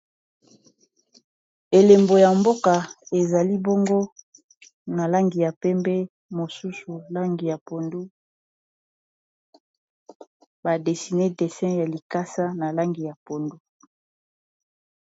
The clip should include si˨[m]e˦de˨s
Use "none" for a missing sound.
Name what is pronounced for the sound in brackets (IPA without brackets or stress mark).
n